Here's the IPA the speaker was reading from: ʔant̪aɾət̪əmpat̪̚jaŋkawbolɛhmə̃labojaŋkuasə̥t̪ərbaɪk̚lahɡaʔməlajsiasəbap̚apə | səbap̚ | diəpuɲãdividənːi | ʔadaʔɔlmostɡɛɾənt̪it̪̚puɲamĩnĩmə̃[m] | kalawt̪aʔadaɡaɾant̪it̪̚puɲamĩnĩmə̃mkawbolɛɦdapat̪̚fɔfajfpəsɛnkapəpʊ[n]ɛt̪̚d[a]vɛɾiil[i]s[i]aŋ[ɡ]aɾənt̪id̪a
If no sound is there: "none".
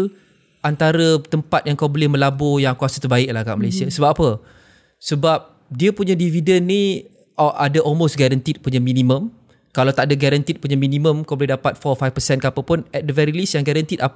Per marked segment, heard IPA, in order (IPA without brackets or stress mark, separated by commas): m, n, ə, i, j, ɡ